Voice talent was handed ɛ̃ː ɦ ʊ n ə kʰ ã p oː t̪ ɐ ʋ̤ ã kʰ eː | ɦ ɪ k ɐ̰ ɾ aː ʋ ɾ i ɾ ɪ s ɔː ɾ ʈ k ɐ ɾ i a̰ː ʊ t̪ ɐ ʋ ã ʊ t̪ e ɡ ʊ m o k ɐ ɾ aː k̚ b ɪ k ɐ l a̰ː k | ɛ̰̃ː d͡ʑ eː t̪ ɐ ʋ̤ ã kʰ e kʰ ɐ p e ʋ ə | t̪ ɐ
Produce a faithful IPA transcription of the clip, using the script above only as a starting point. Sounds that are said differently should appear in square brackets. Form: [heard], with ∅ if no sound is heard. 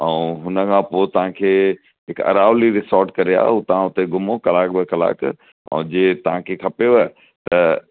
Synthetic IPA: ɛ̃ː ɦ ʊ n ə kʰ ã p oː t̪ ɐ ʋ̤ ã kʰ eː | ɦ ɪ k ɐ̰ ɾ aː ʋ [l] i ɾ ɪ s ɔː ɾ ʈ k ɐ ɾ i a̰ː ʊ t̪ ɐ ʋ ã ʊ t̪ e ɡ ʊ m o k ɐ [l] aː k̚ b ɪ k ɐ l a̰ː k | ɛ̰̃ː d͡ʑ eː t̪ ɐ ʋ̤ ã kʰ e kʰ ɐ p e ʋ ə | t̪ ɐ